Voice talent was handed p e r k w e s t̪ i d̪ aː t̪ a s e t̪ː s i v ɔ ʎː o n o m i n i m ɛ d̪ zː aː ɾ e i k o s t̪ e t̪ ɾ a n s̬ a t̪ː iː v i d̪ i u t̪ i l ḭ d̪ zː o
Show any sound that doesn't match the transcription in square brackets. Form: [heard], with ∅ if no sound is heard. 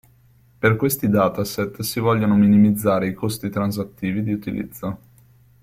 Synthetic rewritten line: p e r k w e s t̪ i d̪ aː t̪ a s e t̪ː s i v ɔ ʎː o n o m i n i m [i] d̪ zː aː ɾ e i k o s t̪ [i] t̪ ɾ a n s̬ a t̪ː iː v i d̪ i u t̪ i l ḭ d̪ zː o

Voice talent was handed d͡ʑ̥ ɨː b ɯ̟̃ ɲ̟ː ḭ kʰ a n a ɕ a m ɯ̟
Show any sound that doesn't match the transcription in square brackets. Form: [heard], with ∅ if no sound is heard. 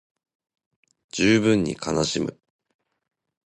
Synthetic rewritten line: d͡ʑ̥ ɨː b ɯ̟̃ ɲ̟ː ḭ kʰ a n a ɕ [i] m ɯ̟

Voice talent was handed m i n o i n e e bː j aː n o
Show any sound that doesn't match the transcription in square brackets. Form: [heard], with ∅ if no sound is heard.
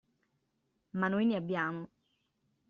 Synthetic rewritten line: m [a] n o [j] n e [a] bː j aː [m] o

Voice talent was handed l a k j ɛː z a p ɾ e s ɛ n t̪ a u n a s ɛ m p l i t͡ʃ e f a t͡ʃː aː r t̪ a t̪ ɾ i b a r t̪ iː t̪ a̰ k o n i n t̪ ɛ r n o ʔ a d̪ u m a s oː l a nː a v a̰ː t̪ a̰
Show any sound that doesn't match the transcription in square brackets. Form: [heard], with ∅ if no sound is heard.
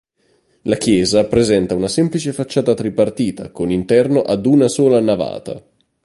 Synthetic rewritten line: l a k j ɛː z a p ɾ e [z] ɛ n t̪ a u n a s ɛ m p l i t͡ʃ e f a t͡ʃː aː [∅] t̪ a t̪ ɾ i [p] a r t̪ iː t̪ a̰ k o n i n t̪ ɛ r n o ʔ a d̪ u [n] a s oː l a [n] a v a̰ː t̪ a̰

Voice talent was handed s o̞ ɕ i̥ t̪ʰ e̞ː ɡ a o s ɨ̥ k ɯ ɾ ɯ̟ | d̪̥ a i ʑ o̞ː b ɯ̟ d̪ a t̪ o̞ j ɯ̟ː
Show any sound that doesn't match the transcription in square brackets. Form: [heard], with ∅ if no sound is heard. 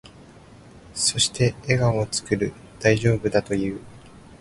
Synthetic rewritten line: s o̞ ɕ i̥ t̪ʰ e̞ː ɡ a o [t͡s] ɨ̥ k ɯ ɾ ɯ̟ | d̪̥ a i ʑ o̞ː b ɯ̟ d̪ a t̪ o̞ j ɯ̟ː

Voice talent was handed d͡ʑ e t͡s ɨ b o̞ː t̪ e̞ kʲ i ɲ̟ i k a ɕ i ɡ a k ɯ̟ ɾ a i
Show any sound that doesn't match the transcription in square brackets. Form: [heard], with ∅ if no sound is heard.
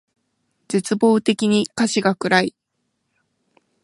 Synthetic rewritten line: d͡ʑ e t͡s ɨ b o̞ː t̪ e̞ kʲ i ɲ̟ i k a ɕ i ɡ a k ɯ̟ ɾ a i

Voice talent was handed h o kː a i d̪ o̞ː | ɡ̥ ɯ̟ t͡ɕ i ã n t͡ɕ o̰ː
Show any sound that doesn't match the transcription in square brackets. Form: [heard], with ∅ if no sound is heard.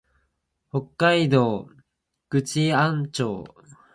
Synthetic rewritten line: h o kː a i d̪ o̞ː | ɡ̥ ɯ̟ t͡ɕ i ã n t͡ɕ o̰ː

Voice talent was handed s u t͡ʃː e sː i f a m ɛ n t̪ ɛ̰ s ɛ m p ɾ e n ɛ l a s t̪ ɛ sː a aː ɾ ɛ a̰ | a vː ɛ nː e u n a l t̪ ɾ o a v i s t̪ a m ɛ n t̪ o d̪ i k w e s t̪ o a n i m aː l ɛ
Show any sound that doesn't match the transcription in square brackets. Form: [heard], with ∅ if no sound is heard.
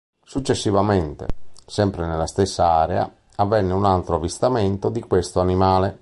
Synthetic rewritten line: s u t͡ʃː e sː i [v] a m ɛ n t̪ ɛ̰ s ɛ m p ɾ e n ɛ l a s t̪ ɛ sː a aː ɾ ɛ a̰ | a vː ɛ nː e u n a l t̪ ɾ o a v i s t̪ a m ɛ n t̪ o d̪ i k w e s t̪ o a n i m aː l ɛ

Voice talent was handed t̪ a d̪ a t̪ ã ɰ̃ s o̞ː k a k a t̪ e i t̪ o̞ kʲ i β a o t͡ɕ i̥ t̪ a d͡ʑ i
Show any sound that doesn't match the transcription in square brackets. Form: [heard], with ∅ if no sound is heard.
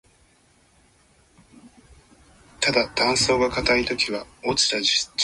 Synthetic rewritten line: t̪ a d̪ a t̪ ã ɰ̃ s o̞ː [ɡ] a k a t̪ [a] i t̪ o̞ kʲ i β a o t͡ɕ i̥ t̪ a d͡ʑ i

